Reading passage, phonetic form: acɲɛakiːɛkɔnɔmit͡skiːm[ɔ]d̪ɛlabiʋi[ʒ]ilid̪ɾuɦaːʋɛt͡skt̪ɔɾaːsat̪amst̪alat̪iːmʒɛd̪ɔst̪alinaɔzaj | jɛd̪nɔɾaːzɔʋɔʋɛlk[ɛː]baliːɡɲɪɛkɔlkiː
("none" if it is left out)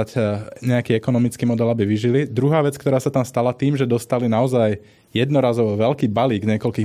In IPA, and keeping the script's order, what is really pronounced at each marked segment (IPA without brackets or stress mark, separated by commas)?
ɔ, ʒ, iː